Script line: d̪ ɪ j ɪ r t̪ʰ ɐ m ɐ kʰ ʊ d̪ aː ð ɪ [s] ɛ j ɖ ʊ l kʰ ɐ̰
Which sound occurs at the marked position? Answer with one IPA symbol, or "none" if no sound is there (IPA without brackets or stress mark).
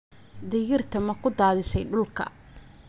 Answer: s